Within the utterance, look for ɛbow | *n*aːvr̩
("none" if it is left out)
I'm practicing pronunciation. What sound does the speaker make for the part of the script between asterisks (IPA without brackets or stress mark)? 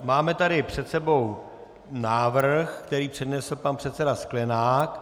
n